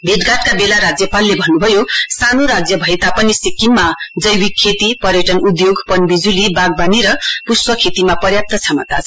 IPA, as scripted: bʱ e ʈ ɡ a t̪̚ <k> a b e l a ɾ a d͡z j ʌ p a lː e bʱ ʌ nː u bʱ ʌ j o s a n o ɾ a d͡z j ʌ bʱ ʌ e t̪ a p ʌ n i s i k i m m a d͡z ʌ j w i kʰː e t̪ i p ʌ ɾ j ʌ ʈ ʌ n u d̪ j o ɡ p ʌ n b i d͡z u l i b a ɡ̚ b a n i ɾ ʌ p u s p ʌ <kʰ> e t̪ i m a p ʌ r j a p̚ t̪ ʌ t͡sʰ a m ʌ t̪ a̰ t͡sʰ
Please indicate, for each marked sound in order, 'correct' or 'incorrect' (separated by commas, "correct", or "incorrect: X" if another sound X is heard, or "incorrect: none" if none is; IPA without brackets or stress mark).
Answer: correct, correct